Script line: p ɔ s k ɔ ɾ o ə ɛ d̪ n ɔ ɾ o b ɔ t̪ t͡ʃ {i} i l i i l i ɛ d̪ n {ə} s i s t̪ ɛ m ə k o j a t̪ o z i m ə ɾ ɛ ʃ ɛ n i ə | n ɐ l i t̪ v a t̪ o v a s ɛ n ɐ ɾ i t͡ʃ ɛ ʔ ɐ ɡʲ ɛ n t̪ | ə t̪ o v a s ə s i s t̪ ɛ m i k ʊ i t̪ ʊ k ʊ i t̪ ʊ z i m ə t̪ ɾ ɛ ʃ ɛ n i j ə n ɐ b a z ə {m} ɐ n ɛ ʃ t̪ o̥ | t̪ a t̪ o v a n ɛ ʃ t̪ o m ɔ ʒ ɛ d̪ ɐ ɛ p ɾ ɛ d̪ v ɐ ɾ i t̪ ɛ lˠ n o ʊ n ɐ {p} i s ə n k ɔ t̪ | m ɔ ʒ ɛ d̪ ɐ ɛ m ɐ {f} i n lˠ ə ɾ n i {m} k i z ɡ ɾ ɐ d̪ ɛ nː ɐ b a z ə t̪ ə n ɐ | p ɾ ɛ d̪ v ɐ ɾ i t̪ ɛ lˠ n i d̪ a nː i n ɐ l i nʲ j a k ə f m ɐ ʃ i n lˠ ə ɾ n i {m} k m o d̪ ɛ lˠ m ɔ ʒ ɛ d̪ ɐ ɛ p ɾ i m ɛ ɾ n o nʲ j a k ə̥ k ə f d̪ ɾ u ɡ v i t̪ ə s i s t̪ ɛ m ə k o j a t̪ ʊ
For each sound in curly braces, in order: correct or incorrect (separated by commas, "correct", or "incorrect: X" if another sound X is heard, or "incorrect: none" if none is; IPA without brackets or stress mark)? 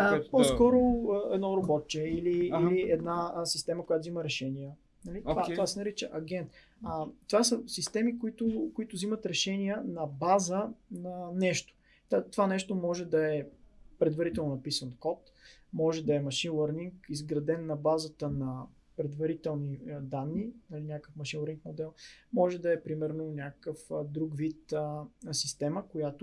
incorrect: ɛ, incorrect: a, incorrect: n, correct, incorrect: ʃ, incorrect: ŋ, incorrect: ŋ